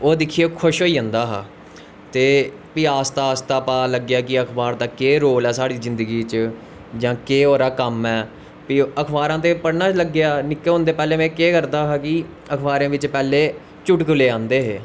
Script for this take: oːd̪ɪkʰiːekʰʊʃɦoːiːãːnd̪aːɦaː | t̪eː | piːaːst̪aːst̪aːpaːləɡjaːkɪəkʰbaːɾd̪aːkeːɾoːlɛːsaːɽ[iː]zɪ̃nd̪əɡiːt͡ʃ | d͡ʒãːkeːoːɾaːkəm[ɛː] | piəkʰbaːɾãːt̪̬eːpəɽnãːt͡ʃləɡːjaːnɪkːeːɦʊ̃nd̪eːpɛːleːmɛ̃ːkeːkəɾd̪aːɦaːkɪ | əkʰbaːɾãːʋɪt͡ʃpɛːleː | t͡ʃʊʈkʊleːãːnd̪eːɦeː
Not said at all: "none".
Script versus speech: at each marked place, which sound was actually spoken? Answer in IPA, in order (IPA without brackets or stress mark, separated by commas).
iː, ɛː